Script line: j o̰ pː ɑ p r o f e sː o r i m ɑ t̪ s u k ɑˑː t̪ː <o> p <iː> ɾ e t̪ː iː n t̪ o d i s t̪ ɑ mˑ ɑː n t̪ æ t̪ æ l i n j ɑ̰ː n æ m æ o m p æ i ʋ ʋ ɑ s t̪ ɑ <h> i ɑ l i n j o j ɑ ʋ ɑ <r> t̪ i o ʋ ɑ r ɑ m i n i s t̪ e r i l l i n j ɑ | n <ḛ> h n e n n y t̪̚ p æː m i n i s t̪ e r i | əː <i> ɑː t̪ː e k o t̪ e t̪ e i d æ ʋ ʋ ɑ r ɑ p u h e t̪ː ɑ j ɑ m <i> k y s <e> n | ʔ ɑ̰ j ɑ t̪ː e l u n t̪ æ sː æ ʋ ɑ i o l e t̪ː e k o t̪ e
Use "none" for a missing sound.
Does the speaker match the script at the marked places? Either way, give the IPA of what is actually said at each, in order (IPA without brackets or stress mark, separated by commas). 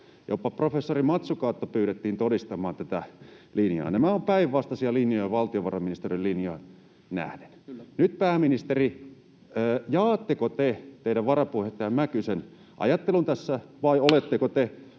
o, yː, s, l, æ̰, j, æ, e